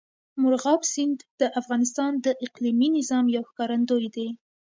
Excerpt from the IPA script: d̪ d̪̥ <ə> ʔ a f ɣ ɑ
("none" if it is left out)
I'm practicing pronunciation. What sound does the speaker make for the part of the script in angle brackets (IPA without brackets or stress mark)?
ə